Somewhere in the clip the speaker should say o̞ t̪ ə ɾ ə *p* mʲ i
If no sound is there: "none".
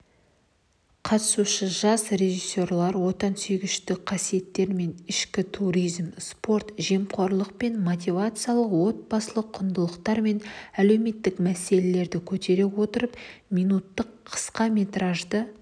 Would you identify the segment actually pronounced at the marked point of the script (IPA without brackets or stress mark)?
p